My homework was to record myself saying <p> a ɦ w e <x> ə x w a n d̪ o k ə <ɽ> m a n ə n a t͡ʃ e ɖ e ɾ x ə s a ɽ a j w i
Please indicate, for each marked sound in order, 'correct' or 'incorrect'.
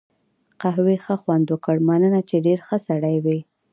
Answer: incorrect: q, correct, correct

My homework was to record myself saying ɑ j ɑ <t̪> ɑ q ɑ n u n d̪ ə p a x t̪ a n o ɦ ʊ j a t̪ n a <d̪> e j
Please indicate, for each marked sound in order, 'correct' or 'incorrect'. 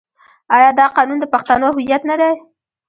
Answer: incorrect: d̪, correct

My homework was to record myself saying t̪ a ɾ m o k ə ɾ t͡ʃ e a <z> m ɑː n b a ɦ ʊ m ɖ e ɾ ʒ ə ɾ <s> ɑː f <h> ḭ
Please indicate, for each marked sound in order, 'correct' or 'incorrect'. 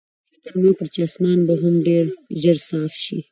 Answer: incorrect: s, correct, incorrect: ʃ

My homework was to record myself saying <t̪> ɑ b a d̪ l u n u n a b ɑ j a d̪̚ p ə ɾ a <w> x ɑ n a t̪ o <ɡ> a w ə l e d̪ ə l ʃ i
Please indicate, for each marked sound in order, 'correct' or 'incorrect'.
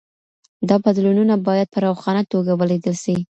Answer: incorrect: d̪, correct, correct

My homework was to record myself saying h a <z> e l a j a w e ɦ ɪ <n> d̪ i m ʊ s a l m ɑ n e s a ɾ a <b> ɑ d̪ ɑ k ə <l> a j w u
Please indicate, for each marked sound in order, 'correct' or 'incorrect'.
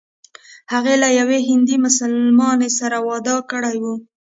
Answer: incorrect: ɣ, correct, incorrect: w, incorrect: ɽ

